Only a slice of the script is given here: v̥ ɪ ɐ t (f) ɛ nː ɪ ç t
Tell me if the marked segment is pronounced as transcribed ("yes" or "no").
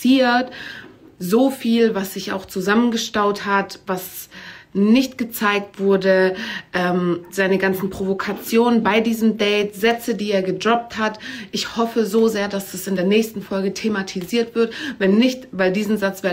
no